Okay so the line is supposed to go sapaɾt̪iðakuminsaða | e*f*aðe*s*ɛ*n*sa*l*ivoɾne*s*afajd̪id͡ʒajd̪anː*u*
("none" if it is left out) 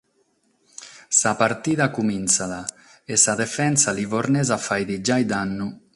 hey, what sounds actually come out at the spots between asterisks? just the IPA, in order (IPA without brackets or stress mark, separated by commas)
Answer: s, f, n, l, z, u